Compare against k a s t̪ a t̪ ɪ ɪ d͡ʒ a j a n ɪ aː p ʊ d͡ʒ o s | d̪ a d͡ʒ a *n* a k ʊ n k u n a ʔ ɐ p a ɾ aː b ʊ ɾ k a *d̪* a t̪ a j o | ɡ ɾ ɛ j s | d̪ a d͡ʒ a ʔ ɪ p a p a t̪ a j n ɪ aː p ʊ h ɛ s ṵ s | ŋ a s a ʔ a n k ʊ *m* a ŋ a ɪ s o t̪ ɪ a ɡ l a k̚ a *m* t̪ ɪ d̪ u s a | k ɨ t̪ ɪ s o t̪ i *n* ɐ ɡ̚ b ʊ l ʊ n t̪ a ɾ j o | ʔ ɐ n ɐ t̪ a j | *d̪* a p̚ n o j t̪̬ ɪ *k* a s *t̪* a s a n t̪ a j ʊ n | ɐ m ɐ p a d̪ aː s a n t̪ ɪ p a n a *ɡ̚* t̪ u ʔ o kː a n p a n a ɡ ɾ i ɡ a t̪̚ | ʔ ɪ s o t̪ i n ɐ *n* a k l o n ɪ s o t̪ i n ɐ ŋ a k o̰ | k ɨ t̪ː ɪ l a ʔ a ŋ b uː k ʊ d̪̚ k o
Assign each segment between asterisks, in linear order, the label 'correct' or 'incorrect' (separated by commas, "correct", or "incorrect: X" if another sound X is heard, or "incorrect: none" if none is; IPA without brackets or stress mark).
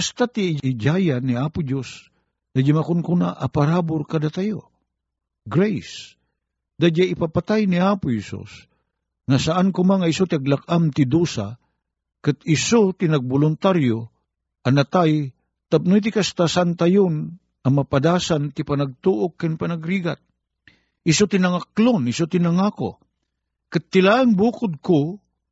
incorrect: m, correct, correct, correct, correct, incorrect: t̪, correct, correct, correct, incorrect: ŋ